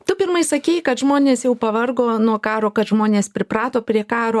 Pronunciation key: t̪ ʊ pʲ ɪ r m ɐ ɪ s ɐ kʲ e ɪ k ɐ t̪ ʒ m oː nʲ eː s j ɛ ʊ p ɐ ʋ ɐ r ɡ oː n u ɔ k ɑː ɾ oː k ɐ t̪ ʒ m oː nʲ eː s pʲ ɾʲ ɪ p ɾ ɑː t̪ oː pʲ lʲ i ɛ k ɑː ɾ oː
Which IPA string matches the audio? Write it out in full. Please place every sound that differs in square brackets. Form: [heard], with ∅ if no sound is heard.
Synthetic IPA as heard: t̪ ʊ pʲ ɪ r m ɐ ɪ s ɐ kʲ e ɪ k ɐ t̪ ʒ m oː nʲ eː s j ɛ ʊ p ɐ ʋ ɐ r ɡ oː n u ɔ k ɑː ɾ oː k ɐ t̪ ʒ m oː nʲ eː s pʲ ɾʲ ɪ p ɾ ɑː t̪ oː pʲ [ɾʲ] i ɛ k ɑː ɾ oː